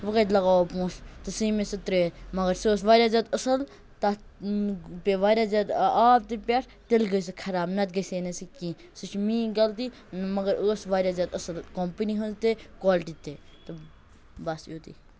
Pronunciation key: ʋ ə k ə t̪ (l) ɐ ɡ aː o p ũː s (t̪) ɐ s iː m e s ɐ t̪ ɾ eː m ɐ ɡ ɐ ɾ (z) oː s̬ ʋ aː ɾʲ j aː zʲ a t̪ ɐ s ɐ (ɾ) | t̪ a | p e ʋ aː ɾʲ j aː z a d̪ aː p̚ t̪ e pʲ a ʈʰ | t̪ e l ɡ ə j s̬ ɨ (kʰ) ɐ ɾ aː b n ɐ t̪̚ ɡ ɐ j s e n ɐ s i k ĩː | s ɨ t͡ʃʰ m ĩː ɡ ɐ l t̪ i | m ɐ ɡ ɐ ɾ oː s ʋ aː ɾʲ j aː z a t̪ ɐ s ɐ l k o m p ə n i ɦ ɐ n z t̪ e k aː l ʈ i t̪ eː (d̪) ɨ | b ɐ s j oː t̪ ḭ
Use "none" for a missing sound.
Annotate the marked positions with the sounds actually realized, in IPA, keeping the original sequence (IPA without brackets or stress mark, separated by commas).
l, t̪, s, l, kʰ, t̪